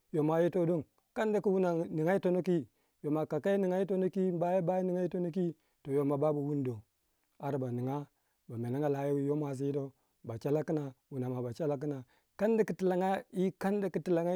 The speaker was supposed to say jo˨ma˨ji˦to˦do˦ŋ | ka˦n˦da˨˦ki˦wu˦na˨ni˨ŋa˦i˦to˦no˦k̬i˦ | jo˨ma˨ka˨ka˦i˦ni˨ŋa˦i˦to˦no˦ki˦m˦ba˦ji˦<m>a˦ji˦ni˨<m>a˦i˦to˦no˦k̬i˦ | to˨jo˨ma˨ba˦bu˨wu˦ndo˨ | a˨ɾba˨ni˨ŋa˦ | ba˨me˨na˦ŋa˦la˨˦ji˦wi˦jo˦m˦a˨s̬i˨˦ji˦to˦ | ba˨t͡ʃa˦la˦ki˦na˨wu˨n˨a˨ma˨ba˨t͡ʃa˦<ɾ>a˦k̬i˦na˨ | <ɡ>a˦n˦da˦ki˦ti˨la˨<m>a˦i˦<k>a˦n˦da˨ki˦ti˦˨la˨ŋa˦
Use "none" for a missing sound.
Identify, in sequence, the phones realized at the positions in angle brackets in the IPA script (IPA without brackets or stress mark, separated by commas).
b, ŋ, l, k, ŋ, k